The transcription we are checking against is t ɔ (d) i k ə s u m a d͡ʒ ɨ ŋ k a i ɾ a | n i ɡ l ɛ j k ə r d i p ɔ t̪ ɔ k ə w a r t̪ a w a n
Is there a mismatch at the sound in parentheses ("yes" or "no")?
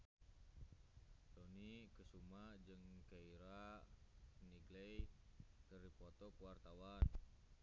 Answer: yes